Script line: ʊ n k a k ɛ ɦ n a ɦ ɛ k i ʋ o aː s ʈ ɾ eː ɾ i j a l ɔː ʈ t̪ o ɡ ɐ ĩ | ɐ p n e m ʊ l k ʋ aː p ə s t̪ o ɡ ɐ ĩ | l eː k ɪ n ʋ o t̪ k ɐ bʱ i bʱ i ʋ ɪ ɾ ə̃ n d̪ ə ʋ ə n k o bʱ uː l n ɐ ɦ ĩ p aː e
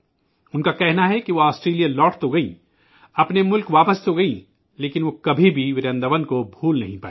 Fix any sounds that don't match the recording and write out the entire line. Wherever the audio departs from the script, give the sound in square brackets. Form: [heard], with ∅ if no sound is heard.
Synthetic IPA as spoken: ʊ n k a k ɛ ɦ n a ɦ ɛ k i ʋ o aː s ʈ ɾ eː [l] i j a l ɔː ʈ t̪ o ɡ ɐ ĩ | ɐ p n e m ʊ l k ʋ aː p ə s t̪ o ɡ ɐ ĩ | l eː k ɪ n ʋ o [∅] k ɐ bʱ i bʱ i ʋ ɪ ɾ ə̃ n d̪ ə ʋ ə n k o bʱ uː l n ɐ ɦ ĩ p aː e